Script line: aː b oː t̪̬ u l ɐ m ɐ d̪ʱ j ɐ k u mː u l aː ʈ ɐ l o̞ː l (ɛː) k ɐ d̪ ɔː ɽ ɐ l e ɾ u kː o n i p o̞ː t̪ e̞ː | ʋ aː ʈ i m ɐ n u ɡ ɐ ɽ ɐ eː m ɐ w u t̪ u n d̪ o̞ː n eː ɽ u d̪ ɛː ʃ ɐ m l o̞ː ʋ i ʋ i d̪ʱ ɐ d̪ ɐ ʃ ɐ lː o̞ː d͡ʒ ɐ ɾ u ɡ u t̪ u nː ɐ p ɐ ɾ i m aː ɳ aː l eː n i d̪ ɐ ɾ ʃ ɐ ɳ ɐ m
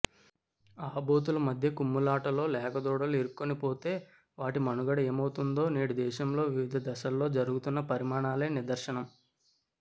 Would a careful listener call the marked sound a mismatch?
no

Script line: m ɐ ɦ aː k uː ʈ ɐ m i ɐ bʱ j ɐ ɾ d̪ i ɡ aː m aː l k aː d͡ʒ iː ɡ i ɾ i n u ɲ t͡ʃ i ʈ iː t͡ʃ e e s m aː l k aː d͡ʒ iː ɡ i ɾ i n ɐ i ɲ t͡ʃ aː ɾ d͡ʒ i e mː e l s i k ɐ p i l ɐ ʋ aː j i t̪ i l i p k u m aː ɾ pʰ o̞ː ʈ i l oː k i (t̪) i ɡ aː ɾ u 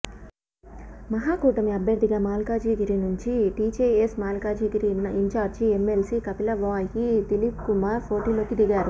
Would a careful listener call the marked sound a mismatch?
yes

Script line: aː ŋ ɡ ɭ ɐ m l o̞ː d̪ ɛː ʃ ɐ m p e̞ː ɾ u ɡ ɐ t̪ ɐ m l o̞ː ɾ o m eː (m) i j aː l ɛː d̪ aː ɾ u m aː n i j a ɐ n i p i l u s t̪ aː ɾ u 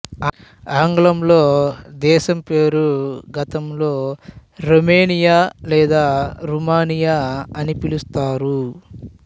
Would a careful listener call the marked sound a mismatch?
yes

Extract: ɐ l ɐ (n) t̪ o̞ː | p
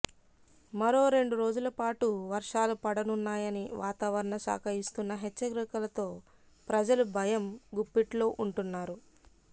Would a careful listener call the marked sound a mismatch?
yes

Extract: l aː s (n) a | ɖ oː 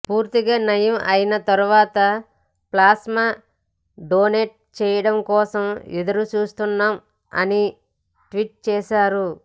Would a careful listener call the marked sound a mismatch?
yes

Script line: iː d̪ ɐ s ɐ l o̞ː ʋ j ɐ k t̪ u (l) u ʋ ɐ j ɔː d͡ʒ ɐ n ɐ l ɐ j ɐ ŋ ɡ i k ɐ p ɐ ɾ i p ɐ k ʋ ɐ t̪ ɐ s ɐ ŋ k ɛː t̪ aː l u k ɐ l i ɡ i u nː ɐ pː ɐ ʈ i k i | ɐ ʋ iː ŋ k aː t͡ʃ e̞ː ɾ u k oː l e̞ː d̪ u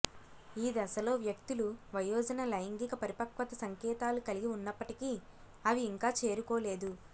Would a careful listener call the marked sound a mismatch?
no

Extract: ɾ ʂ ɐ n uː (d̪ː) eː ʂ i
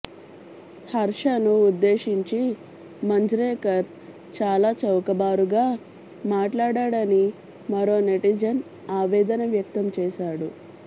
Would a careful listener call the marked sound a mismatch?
no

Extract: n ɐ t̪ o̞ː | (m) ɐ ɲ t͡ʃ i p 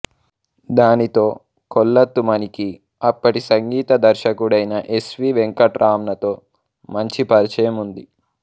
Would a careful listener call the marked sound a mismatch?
no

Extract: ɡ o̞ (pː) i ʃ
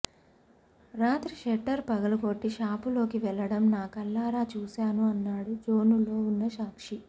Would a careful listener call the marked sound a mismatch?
yes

